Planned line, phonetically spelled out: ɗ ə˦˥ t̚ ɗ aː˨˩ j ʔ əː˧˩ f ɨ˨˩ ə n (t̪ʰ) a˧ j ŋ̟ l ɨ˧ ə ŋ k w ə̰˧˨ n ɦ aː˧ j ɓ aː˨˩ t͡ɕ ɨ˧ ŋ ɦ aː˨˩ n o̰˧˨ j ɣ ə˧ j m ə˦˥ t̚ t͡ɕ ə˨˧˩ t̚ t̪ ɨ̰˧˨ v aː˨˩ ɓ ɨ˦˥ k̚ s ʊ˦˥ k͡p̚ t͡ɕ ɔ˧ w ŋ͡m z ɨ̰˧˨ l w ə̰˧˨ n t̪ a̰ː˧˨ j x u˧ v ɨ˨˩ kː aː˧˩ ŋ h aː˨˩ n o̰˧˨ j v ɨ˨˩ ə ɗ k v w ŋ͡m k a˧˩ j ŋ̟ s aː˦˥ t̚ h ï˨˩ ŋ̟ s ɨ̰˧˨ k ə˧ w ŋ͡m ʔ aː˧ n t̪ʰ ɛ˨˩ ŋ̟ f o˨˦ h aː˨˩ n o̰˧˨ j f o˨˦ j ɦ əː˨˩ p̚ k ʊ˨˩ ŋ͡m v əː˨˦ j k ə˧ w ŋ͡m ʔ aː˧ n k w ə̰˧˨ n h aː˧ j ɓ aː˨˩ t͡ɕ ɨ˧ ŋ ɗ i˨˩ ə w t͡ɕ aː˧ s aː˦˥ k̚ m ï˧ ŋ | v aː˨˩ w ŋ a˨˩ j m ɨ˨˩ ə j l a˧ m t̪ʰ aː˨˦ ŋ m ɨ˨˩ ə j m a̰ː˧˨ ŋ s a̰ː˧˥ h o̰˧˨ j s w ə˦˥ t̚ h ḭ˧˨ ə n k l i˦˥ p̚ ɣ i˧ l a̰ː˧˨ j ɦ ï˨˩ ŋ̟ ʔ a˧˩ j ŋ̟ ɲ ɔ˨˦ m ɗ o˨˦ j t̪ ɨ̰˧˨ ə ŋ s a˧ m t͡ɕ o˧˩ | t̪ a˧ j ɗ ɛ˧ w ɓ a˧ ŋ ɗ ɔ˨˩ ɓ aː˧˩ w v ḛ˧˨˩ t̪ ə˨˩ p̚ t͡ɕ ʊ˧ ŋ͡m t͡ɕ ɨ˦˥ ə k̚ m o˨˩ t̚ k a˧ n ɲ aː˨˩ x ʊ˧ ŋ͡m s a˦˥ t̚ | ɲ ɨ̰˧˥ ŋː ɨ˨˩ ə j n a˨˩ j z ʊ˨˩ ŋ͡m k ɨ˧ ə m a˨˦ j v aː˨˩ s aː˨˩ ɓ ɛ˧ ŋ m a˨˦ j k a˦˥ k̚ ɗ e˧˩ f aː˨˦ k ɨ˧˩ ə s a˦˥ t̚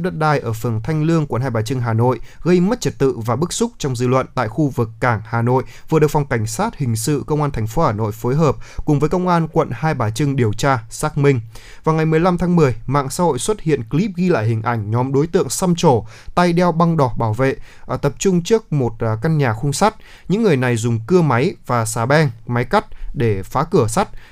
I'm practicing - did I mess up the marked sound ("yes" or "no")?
no